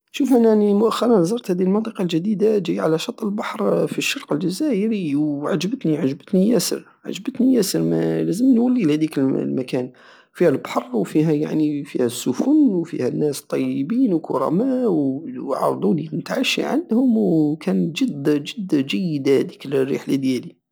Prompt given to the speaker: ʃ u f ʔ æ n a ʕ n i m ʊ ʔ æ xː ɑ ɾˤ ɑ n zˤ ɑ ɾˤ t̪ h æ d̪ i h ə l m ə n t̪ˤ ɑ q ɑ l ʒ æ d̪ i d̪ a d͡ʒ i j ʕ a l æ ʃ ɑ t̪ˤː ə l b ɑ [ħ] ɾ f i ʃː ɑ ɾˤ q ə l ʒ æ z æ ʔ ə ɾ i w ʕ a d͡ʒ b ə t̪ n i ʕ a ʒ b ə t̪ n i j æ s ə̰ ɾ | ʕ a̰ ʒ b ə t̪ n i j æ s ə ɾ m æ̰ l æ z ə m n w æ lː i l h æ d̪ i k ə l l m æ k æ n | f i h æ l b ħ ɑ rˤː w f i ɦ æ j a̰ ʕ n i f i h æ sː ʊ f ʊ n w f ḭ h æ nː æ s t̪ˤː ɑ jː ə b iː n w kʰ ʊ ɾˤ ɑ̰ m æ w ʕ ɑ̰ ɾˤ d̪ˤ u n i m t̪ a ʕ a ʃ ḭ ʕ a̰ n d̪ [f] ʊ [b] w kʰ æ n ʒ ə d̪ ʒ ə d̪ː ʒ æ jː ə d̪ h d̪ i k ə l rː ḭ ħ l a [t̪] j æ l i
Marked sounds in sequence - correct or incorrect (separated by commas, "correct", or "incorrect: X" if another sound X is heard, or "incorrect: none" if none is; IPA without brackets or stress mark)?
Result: correct, incorrect: h, incorrect: m, incorrect: d̪